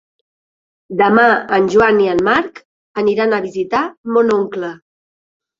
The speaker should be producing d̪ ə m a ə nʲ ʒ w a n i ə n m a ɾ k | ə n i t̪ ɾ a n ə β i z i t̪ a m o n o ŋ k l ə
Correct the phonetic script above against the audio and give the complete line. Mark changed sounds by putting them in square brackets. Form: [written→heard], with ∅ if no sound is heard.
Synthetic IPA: d̪ ə m a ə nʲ ʒ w a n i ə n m a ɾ k | ə n i [t̪→∅] ɾ a n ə β i z i t̪ a m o n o ŋ k l ə